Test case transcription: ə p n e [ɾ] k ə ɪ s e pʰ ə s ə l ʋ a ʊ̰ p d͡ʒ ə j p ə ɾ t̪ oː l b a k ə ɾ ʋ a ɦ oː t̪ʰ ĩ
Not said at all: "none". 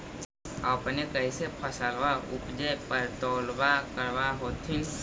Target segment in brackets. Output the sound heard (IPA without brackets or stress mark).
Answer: none